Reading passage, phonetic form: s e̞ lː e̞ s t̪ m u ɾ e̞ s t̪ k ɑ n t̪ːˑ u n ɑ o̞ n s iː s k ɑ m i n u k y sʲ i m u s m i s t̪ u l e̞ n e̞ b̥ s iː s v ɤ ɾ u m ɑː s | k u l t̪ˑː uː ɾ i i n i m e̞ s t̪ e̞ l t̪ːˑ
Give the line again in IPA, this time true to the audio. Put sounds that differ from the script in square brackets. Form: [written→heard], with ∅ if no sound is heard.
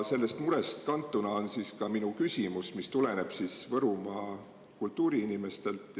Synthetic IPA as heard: s e̞ lː e̞ s t̪ m u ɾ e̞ s t̪ k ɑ n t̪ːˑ u n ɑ o̞ n s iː s k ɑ m i n u k y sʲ i m u s m i s t̪ u l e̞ n e̞ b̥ s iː s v ɤ ɾ u m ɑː [s→∅] | k u l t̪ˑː uː ɾ i i n i m e̞ s t̪ e̞ l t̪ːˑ